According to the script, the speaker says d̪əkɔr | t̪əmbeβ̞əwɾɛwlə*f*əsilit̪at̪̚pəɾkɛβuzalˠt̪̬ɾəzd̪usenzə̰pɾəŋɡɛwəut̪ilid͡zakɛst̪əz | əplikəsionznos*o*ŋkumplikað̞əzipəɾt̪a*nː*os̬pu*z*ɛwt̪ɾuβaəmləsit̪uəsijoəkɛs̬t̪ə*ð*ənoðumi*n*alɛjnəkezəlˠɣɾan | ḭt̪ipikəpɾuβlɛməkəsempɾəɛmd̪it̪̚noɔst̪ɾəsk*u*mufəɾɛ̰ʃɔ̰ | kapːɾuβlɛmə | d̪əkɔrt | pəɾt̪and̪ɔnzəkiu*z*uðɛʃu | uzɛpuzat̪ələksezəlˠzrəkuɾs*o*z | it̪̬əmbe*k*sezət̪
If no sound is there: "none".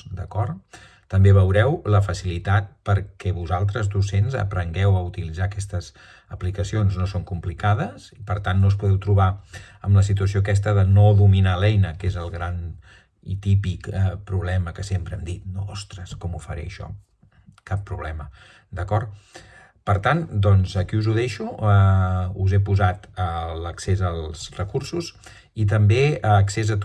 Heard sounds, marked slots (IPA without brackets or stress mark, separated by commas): f, o, nː, ð, ð, n, ɔ, z, u, k